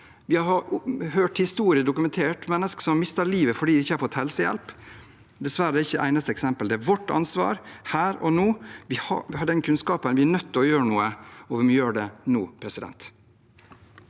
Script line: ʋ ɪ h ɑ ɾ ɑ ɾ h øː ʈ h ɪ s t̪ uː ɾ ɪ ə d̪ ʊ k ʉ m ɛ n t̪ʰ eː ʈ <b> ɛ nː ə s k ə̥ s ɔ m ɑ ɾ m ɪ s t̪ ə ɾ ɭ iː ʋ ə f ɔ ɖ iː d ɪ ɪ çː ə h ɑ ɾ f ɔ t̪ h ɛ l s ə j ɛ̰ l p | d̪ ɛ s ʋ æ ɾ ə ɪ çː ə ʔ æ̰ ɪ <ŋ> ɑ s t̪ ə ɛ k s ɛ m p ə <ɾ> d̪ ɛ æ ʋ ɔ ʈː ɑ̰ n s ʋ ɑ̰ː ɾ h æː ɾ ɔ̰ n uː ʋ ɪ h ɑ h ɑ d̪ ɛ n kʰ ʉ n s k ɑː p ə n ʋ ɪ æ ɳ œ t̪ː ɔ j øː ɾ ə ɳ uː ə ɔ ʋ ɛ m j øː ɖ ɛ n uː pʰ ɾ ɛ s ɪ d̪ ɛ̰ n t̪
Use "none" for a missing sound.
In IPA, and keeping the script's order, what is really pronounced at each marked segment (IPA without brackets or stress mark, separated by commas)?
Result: m, n, l